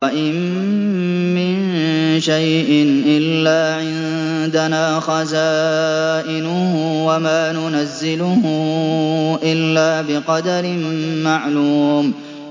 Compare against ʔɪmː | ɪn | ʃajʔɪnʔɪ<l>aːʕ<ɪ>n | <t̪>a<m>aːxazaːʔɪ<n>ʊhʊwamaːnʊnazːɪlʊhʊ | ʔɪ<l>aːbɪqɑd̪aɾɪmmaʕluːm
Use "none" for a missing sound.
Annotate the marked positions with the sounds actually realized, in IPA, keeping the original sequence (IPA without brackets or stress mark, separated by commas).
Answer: lː, ɪ, d̪, n, n, lː